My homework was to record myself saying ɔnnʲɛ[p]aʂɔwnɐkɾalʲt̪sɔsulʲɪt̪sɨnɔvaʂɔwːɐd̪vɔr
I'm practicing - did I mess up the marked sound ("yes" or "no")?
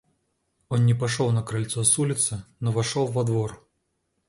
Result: no